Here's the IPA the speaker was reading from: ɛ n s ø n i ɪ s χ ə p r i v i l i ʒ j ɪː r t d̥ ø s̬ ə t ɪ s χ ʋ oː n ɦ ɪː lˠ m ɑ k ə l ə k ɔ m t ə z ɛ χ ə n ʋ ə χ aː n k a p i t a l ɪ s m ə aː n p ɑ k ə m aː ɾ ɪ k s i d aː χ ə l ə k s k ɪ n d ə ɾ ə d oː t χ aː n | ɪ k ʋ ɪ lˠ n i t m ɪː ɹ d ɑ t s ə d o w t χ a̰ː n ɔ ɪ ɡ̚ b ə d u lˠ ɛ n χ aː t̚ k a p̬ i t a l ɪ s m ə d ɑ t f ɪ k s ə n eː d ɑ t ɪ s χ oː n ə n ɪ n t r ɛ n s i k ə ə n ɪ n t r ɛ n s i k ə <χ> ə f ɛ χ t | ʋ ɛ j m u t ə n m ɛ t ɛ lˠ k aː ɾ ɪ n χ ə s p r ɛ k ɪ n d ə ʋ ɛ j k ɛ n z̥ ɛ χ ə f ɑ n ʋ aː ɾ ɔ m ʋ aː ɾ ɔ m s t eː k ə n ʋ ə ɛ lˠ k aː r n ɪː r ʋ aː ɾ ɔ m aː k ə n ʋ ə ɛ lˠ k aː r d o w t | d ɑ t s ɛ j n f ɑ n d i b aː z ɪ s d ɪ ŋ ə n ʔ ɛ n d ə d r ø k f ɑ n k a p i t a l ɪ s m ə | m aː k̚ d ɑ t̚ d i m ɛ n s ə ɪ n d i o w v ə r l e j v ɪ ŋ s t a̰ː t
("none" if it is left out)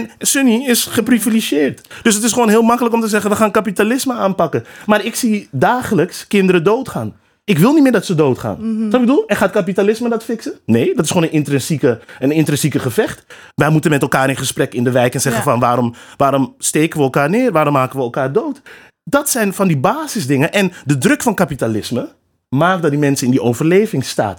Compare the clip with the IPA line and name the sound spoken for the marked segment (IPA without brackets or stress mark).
χ